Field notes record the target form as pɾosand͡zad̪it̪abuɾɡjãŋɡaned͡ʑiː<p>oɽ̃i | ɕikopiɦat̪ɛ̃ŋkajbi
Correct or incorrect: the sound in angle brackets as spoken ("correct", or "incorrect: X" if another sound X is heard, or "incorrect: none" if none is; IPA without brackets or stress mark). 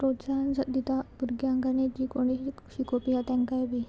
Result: incorrect: k